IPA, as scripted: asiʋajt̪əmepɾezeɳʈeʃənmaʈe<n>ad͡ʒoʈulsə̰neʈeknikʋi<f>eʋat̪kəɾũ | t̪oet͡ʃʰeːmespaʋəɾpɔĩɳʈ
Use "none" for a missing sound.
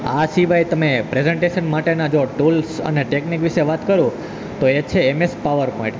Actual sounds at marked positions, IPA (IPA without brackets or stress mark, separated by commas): n, ʃ